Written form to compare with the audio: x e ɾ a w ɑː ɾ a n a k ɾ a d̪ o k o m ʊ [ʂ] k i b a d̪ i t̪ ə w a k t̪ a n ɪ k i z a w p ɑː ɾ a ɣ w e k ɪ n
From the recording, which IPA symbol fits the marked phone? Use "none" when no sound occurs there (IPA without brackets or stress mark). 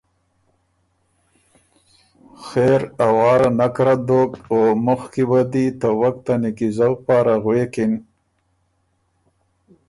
x